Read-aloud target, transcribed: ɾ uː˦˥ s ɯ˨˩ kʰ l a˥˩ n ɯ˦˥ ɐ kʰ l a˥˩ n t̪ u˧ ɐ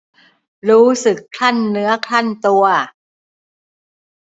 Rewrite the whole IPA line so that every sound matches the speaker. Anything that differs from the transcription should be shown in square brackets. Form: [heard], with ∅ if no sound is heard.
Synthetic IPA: ɾ uː˦˥ s ɯ˨˩ kʰ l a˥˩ [nː] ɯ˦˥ ɐ kʰ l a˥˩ n t̪ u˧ ɐ